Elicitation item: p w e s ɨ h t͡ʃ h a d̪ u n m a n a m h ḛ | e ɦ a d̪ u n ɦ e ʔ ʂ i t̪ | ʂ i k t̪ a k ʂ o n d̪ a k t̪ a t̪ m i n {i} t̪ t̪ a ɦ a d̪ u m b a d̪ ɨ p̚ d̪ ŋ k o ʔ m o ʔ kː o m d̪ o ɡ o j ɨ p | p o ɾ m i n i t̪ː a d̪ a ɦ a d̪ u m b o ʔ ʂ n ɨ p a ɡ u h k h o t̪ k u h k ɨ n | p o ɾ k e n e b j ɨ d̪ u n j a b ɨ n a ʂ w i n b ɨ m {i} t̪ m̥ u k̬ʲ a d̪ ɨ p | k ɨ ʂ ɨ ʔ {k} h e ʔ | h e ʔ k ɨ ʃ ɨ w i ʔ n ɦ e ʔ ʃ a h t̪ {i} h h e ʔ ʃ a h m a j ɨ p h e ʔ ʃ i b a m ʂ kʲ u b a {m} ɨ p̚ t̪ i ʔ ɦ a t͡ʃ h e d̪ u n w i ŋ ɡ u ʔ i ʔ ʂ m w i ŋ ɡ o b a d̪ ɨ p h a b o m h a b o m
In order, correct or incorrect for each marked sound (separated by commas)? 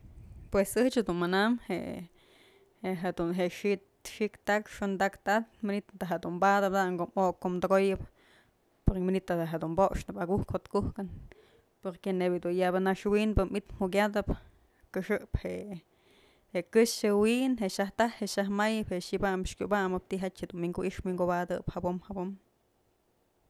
correct, correct, incorrect, incorrect, correct